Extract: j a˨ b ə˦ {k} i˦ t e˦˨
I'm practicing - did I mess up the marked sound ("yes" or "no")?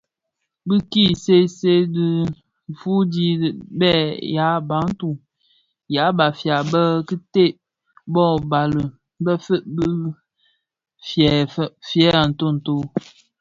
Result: no